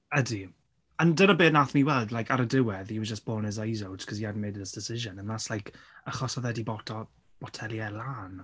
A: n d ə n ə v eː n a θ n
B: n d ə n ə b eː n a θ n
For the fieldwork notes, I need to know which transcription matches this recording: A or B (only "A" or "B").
B